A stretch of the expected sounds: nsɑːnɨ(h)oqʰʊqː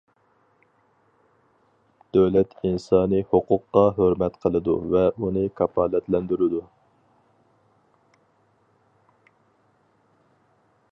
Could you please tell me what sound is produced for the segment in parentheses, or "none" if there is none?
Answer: h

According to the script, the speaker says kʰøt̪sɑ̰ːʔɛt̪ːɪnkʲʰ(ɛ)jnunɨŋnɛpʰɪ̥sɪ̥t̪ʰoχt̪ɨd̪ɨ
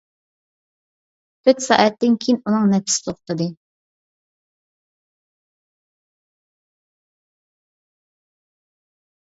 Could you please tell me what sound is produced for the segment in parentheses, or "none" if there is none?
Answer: i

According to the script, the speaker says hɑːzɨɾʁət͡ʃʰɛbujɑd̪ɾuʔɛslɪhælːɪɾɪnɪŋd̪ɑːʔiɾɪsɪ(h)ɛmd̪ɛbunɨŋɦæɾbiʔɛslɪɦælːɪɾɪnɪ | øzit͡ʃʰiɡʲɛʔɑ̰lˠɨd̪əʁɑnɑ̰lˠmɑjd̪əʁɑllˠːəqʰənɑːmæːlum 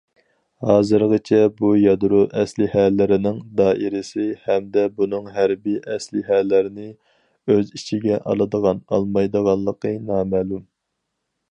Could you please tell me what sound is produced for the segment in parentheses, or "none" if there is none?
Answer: h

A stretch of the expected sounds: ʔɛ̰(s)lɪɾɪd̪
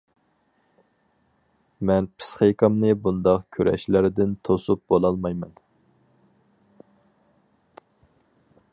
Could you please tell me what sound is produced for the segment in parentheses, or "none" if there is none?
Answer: ʃ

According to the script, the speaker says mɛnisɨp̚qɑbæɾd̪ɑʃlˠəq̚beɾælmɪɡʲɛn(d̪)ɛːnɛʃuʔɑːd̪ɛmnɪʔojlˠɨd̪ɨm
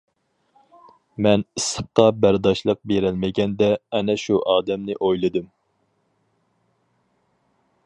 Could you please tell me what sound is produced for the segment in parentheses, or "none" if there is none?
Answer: d̪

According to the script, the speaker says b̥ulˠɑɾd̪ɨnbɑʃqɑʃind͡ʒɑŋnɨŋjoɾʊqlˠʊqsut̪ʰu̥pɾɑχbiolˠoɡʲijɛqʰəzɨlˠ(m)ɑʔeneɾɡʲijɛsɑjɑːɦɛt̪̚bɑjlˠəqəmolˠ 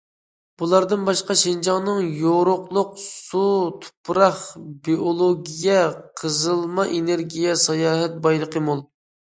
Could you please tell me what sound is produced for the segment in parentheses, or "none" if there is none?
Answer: m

